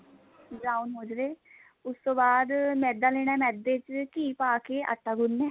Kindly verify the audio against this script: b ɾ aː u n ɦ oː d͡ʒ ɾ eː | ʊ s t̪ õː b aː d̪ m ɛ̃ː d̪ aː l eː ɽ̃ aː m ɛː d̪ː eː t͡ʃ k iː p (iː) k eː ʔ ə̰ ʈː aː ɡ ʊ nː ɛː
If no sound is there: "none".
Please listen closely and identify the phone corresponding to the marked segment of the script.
aː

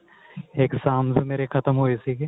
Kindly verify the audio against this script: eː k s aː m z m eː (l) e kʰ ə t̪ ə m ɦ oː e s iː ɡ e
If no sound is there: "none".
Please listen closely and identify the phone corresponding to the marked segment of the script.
ɾ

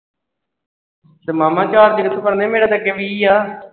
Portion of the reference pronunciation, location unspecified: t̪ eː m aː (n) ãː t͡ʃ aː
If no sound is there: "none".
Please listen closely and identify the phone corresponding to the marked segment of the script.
m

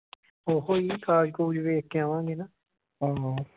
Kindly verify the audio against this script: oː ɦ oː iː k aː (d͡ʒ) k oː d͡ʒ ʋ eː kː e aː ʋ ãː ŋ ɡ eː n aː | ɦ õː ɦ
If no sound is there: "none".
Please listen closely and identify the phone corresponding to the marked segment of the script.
d͡ʒ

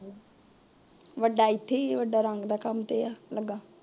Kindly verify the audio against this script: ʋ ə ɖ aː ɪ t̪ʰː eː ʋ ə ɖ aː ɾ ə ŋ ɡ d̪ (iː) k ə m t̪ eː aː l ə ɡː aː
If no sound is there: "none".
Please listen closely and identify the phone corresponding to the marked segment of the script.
aː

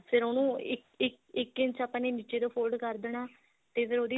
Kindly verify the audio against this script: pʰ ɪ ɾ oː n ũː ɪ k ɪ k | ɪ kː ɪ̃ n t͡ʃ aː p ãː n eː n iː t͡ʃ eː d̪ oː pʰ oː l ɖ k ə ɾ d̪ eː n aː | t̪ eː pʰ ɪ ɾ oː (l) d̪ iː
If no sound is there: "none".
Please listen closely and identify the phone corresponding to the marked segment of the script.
none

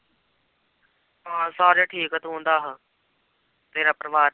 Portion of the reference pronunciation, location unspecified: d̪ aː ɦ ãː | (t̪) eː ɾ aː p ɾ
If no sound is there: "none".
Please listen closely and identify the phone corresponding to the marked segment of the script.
t̪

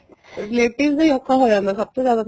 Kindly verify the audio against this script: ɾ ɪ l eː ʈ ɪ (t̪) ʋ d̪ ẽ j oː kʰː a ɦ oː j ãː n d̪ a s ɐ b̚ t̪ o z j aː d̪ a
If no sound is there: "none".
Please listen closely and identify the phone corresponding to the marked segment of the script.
none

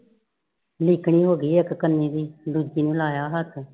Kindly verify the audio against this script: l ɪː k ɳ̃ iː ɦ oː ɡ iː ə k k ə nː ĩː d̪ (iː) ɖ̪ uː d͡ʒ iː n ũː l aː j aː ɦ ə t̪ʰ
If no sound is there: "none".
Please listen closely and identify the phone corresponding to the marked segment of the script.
iː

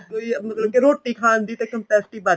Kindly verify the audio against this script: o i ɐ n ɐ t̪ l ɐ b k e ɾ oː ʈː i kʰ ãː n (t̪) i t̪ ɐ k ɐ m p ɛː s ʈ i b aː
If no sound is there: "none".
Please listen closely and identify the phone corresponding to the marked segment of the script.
d̪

